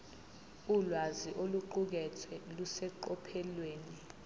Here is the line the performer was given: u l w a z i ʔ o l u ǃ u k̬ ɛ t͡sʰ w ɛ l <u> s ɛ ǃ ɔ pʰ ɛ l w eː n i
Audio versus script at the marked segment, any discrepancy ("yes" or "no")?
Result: no